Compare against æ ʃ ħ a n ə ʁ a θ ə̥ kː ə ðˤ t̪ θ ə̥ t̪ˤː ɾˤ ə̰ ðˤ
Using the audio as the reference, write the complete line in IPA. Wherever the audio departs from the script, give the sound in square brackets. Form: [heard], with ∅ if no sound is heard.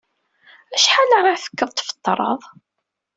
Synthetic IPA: æ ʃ ħ a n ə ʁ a θ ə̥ kː ə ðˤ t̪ [f] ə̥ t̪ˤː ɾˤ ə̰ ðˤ

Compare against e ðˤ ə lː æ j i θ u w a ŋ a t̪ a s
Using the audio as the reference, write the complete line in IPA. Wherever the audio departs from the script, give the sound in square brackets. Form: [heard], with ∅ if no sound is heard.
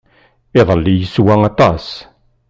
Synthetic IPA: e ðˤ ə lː [i] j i [s] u w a ŋ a t̪ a s

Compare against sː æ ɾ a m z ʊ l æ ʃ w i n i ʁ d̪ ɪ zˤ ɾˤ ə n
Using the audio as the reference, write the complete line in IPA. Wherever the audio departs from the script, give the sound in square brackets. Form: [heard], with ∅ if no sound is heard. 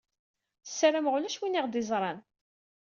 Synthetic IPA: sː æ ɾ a m [ʁ] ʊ l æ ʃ w i n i ʁ d̪ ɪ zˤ ɾˤ [ɑ] n

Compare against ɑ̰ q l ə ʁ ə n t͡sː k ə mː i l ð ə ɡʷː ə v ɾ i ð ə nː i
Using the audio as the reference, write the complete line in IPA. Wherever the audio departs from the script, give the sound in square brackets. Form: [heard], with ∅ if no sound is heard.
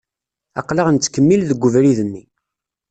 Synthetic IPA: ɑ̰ q l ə ʁ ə n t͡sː k ə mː i l ð ə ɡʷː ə v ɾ i ð ə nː i

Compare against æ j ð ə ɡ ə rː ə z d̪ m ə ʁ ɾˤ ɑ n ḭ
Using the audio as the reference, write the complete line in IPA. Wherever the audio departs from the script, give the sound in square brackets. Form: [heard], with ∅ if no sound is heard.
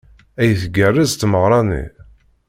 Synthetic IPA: æ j [θ] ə ɡ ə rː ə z [t̪] m ə ʁ ɾˤ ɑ n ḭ

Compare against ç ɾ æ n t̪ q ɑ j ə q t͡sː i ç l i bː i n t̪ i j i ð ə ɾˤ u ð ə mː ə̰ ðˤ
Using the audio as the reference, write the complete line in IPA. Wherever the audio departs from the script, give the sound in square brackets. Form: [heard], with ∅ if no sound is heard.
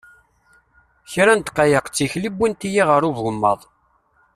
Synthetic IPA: ç ɾ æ n t̪ q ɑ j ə q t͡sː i ç l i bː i n t̪ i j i [ʁ] ə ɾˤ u [v] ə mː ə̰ ðˤ

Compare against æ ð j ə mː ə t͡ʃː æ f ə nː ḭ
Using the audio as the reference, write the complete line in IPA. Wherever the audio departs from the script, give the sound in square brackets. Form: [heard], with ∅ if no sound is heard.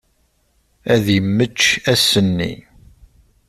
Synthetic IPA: æ ð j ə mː ə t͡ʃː æ [s] ə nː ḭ

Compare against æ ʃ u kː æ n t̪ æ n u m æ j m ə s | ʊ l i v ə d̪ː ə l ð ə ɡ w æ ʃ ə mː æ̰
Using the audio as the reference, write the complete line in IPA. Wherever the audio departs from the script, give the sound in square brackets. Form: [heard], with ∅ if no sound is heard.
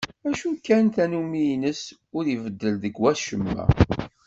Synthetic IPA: æ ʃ u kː æ n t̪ æ n u m [i] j [n] ə s | ʊ [ɾ] i v ə d̪ː ə l ð ə ɡ w æ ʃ ə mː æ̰

